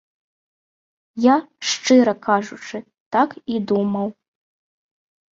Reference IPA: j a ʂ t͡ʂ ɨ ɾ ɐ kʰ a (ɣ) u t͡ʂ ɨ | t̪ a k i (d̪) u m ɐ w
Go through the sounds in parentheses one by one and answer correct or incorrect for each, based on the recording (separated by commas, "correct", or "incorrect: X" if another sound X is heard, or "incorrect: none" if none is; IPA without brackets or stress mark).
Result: incorrect: ʐ, correct